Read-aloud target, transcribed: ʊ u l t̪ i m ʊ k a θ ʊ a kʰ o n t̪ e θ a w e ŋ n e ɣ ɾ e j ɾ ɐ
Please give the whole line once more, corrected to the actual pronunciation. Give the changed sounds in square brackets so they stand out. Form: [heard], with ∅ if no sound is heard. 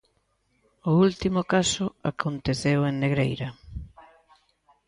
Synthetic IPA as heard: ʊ u l t̪ i m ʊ k a [s] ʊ a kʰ o n t̪ e θ [e] w e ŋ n e ɣ ɾ e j ɾ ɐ